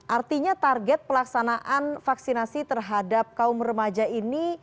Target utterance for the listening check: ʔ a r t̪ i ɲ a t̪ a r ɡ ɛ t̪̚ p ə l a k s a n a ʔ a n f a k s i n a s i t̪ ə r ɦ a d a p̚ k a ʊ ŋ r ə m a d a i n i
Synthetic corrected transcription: ʔ a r t̪ i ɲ a t̪ a r ɡ ɛ t̪̚ p ə l a k s a n a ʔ a n f a k s i n a s i t̪ ə r ɦ a d a p̚ k a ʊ m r ə m a d͡ʒ a i n i